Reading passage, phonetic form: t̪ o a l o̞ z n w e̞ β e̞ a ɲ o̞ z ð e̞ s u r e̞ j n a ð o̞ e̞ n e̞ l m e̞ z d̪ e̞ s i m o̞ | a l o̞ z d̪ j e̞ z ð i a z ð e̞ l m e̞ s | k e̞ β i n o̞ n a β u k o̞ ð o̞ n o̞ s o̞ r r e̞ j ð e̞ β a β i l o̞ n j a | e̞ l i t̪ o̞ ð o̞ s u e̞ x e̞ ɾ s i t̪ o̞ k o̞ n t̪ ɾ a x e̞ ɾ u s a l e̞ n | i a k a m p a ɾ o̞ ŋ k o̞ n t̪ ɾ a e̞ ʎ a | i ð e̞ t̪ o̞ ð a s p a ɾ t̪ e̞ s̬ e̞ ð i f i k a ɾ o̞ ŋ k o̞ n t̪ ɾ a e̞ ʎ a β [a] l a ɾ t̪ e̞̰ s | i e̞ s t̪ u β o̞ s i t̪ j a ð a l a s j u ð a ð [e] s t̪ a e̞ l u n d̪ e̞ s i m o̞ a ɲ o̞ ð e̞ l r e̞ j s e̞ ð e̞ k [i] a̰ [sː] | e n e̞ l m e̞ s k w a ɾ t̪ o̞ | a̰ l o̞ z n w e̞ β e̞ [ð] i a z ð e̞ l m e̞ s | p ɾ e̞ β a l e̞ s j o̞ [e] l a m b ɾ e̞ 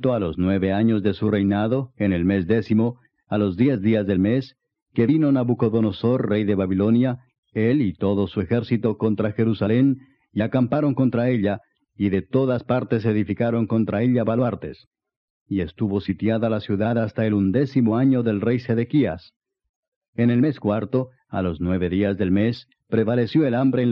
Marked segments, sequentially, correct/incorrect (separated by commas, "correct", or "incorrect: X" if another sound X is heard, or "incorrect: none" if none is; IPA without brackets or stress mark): correct, incorrect: a, correct, incorrect: s, correct, correct